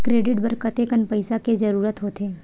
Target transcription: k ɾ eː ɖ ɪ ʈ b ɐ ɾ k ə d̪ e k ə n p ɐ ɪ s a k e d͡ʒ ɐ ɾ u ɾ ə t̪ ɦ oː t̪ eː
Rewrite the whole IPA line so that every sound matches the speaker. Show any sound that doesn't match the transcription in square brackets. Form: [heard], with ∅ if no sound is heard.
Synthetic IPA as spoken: k ɾ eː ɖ ɪ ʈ b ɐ ɾ k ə [t̪] e k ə n p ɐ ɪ s a k e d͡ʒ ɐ ɾ [uː] ɾ ə t̪ ɦ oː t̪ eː